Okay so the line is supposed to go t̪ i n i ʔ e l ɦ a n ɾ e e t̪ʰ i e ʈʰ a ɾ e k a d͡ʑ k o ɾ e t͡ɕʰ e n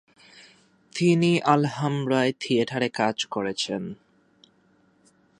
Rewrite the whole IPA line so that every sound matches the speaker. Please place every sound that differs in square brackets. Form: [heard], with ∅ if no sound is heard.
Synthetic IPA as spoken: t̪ i n i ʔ [a] l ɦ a [m] ɾ [a] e t̪ʰ i e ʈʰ a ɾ e k a d͡ʑ k o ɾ e t͡ɕʰ e n